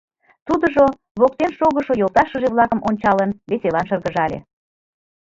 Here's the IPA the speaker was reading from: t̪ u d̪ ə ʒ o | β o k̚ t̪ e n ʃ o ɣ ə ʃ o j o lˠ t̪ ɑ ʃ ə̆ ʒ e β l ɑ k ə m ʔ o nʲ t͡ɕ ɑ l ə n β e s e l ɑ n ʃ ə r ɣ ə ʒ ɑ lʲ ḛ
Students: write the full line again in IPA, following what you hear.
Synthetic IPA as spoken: t̪ u d̪ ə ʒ o | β o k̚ t̪ e n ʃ o ɣ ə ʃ o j o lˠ t̪ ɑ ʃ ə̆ ʒ e β l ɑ k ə m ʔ o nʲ t͡ɕ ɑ l ə n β e s e l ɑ n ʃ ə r ɣ ə ʒ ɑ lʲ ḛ